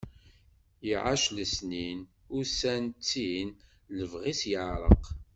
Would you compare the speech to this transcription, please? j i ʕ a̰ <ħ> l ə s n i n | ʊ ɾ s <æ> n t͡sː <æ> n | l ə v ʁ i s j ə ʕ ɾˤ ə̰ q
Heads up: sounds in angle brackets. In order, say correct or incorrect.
incorrect: ʃ, correct, incorrect: i

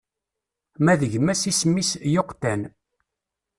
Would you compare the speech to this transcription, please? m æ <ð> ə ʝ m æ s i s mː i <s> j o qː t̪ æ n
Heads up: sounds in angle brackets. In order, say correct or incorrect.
correct, correct

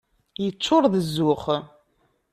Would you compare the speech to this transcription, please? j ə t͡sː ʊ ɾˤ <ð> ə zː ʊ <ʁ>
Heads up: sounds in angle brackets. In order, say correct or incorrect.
correct, incorrect: χ

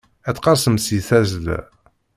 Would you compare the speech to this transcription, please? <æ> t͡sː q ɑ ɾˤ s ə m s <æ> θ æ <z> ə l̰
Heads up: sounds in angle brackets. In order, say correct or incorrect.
correct, incorrect: i, correct

